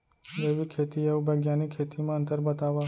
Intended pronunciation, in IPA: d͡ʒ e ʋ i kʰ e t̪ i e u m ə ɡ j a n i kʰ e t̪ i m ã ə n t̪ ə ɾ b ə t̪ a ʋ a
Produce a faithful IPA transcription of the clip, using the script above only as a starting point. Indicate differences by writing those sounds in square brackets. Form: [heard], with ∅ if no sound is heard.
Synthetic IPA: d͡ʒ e ʋ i kʰ e t̪ i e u [b] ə ɡ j a n i kʰ e t̪ i m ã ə n t̪ ə ɾ b ə t̪ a ʋ a